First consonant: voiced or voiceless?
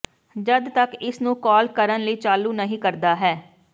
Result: voiced